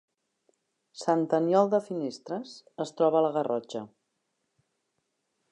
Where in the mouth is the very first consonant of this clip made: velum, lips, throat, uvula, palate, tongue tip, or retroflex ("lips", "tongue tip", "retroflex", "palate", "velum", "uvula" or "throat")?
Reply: tongue tip